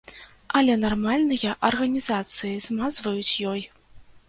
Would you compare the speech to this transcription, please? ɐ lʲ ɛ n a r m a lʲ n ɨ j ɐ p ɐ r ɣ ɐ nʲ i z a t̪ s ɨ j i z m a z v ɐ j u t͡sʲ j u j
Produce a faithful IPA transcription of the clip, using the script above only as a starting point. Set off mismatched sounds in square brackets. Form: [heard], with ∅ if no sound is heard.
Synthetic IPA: ɐ lʲ ɛ n a r m a lʲ n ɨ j ɐ [ʔ] ɐ r ɣ ɐ nʲ i z a t̪ s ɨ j i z m a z v ɐ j u t͡sʲ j [ɔ] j

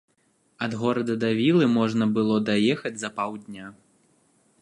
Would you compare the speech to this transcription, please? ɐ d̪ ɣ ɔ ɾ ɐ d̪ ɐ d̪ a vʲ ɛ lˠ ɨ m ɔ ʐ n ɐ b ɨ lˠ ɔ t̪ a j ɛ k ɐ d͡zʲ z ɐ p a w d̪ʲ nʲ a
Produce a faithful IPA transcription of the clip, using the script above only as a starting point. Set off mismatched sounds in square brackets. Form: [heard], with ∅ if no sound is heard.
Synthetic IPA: ɐ d̪ ɣ ɔ ɾ ɐ d̪ ɐ d̪ a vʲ [i] lˠ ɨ m ɔ ʐ n ɐ b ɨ lˠ ɔ [d̪] a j ɛ [x] ɐ d͡zʲ z ɐ p a w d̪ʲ nʲ a

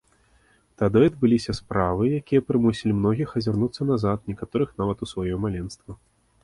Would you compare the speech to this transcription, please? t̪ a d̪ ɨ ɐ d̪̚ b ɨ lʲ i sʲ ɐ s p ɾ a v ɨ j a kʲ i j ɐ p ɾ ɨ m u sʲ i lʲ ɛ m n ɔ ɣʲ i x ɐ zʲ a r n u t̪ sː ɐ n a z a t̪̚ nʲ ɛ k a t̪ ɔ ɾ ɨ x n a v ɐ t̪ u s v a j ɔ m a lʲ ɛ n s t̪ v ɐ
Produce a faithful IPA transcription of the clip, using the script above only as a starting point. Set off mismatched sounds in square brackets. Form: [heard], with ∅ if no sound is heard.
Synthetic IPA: t̪ a d̪ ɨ ɐ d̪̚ b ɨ lʲ i sʲ ɐ s p ɾ a v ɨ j a kʲ i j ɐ p ɾ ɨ m u sʲ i lʲ [i] m n ɔ ɣʲ i x ɐ zʲ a r n u t̪ sː ɐ n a z a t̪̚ nʲ ɛ k a t̪ ɔ ɾ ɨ x n a v ɐ t̪ u s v a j ɔ m a lʲ ɛ n s t̪ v ɐ

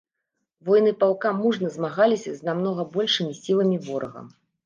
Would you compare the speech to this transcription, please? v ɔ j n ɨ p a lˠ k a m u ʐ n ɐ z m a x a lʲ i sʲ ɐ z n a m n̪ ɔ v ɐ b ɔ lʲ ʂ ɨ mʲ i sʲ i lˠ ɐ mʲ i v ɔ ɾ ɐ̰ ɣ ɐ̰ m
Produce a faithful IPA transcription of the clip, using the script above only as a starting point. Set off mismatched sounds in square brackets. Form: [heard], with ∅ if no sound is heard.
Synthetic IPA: v ɔ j n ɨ p a lˠ k a m u ʐ n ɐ z m a [ɣ] a lʲ i sʲ ɐ z n a m n̪ ɔ [ɣ] ɐ b ɔ lʲ ʂ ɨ mʲ i sʲ i lˠ ɐ mʲ i v ɔ ɾ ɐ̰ ɣ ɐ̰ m

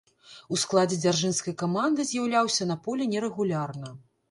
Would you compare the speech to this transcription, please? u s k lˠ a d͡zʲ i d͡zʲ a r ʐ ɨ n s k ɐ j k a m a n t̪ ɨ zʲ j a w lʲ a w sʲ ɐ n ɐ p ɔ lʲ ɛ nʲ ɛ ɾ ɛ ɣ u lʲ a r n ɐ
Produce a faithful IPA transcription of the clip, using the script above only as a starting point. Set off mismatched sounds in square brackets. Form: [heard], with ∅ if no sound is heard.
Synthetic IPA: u s k lˠ a d͡zʲ [ɛ] d͡zʲ a r ʐ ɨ n s k ɐ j k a m a n [d̪] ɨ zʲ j a w lʲ a w sʲ ɐ n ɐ p ɔ lʲ ɛ nʲ ɛ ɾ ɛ ɣ u lʲ a r n ɐ

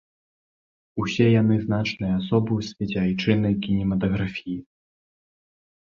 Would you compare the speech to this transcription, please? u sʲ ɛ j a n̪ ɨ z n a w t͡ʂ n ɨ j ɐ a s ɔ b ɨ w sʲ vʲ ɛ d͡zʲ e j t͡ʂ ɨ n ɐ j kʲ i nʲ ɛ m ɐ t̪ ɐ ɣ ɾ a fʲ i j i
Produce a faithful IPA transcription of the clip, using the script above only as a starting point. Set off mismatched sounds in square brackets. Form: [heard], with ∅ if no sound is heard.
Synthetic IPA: u sʲ ɛ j a n̪ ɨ z n a [∅] t͡ʂ n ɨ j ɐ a s ɔ b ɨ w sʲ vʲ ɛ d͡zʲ [a] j t͡ʂ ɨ n ɐ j kʲ i nʲ ɛ m ɐ t̪ ɐ ɣ ɾ a fʲ i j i

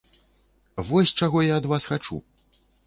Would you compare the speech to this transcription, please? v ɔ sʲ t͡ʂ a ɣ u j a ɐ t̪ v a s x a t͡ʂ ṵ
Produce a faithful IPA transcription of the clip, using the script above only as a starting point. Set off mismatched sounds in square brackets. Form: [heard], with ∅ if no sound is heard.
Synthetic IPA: v ɔ sʲ t͡ʂ a ɣ [ɔ] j a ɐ [d̪] v a s x a t͡ʂ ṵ

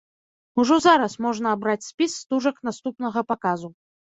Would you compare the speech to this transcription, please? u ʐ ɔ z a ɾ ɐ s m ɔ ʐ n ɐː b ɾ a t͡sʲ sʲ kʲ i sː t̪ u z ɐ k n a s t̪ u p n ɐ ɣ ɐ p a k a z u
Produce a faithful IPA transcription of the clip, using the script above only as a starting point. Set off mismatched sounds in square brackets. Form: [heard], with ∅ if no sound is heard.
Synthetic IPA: u ʐ ɔ z a ɾ ɐ s m ɔ ʐ n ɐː b ɾ a t͡sʲ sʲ [pʲ] i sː t̪ u [ʐ] ɐ k n a s t̪ u p n ɐ ɣ ɐ p a k a z u

